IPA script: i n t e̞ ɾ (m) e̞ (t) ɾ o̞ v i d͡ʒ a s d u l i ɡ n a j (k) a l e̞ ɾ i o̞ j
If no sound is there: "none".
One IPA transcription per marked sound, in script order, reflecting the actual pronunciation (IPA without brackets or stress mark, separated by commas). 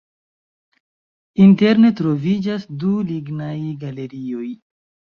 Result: n, t, ɡ